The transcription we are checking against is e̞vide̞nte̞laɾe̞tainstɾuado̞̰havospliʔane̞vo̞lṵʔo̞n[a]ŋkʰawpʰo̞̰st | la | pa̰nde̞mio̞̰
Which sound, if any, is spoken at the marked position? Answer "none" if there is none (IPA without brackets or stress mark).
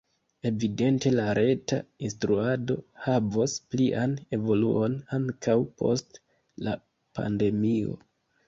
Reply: a